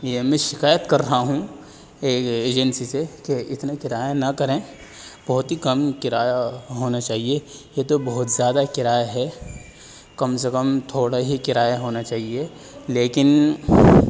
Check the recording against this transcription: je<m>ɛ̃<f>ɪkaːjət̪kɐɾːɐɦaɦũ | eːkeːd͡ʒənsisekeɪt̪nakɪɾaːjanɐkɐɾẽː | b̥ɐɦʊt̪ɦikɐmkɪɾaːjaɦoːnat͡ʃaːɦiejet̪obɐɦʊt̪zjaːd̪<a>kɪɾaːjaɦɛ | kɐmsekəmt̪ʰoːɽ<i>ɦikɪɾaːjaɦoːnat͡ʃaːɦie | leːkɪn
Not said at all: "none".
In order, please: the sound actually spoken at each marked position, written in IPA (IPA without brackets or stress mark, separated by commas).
m, ʃ, a, a